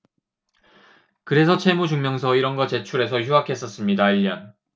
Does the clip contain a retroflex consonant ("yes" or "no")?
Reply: no